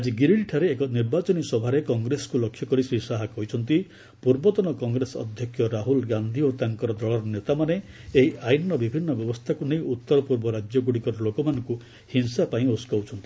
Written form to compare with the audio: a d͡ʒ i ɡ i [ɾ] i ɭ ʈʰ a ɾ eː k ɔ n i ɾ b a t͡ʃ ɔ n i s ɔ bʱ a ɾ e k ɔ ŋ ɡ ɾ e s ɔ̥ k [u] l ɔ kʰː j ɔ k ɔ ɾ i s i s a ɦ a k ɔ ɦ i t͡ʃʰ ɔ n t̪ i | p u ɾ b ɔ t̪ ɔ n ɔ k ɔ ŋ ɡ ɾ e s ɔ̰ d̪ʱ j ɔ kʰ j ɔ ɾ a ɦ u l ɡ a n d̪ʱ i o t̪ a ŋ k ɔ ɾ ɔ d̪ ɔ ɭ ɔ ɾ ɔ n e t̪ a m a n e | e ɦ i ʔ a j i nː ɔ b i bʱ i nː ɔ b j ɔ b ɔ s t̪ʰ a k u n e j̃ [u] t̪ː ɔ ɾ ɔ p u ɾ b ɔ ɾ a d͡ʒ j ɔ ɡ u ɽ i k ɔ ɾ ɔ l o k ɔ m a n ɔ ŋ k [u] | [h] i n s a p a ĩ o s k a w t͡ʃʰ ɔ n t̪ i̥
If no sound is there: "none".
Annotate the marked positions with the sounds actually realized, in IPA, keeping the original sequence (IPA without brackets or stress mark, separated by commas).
ɾ, u, u, u, h